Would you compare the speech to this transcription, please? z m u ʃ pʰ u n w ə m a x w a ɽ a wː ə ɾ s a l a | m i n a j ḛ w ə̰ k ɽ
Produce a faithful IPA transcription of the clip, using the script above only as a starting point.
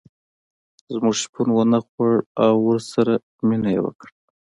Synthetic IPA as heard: z m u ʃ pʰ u n w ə n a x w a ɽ a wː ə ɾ s a ɾ a | m i n a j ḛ w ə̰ k ɽ